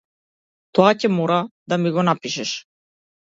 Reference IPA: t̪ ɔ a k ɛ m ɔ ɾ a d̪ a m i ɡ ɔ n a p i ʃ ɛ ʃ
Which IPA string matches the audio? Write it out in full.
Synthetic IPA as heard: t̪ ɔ a c ɛ m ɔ ɾ a d̪ a m i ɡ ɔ n a p i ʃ ɛ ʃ